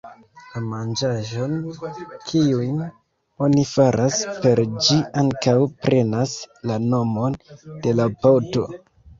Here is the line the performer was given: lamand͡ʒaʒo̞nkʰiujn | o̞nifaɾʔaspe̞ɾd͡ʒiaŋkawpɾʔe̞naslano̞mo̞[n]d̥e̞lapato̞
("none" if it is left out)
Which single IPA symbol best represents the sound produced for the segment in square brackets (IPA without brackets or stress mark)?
n